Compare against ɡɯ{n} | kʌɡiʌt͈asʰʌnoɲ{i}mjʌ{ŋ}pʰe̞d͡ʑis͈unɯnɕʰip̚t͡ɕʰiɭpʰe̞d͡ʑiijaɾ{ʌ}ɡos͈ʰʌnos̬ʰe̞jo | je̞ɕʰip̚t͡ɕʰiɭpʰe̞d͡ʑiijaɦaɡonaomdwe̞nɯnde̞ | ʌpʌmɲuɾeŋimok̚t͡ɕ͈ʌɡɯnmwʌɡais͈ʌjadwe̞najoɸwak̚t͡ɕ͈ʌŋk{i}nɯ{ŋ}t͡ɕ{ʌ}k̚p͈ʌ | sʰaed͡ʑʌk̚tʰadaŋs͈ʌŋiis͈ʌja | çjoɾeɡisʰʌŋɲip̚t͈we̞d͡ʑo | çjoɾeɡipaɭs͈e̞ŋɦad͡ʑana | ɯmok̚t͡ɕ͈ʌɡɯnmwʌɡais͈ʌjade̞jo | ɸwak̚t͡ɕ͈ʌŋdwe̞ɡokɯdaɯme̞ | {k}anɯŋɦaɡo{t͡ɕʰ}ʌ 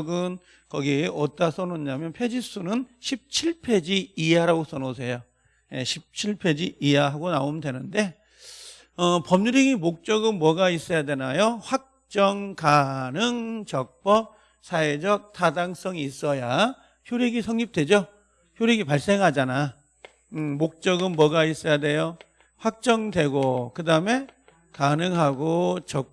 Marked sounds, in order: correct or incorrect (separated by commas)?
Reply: correct, incorrect, incorrect, incorrect, incorrect, correct, correct, correct, incorrect